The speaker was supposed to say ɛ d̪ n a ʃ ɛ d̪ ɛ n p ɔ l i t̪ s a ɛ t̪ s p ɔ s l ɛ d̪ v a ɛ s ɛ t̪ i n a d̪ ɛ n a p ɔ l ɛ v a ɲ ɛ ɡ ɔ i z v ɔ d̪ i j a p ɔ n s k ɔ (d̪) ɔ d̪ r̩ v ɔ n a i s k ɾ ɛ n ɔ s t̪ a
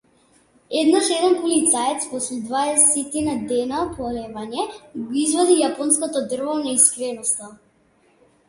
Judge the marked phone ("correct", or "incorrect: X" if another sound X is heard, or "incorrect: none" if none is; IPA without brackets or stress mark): incorrect: t̪